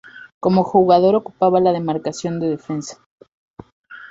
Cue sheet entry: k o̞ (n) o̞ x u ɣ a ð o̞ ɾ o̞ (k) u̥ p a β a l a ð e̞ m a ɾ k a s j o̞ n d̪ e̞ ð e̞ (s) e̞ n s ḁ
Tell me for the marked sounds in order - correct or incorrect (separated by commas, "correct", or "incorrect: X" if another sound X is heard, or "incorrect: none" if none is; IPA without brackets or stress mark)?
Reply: incorrect: m, correct, incorrect: f